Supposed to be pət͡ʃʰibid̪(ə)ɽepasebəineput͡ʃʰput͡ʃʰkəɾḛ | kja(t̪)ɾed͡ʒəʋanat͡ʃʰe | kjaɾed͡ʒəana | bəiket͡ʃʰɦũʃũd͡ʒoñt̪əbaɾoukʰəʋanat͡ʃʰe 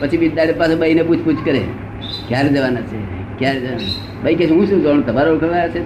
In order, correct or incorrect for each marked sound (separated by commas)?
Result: incorrect, incorrect